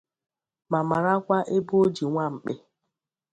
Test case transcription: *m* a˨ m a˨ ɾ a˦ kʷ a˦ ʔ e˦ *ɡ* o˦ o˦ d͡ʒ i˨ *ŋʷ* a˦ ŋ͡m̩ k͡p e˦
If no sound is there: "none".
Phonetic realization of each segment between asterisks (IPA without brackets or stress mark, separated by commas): m, b, ŋʷ